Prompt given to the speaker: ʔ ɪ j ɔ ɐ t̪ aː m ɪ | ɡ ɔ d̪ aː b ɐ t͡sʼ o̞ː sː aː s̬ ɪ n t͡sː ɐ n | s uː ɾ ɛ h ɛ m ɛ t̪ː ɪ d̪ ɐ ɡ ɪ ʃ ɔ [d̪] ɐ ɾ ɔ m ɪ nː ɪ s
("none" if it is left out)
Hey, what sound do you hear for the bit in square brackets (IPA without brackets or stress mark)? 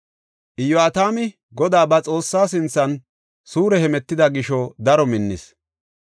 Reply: d̪